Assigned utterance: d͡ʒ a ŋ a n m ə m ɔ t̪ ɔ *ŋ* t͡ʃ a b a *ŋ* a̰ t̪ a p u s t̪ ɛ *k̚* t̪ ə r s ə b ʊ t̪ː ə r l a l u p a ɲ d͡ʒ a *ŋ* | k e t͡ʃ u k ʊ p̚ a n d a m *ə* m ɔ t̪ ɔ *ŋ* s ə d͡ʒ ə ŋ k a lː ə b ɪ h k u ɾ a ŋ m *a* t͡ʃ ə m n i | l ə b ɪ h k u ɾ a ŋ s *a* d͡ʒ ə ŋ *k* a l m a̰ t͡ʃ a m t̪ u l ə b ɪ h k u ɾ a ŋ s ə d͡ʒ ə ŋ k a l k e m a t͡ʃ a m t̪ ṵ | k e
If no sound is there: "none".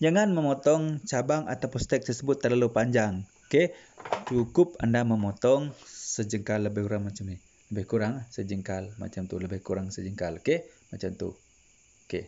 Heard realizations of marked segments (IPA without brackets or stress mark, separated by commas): ŋ, ŋ, k̚, ŋ, ə, ŋ, a, ə, k